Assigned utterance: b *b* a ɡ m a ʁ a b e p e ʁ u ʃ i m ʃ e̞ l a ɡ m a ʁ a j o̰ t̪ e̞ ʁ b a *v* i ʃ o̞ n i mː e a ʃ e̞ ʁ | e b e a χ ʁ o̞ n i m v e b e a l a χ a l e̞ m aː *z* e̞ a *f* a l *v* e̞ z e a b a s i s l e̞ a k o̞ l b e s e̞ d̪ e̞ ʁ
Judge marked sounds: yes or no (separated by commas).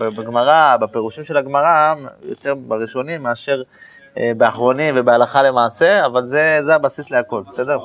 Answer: yes, no, no, no, no